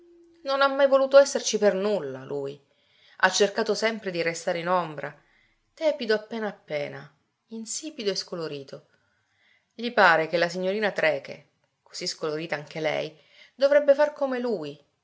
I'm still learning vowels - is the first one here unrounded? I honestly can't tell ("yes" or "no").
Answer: no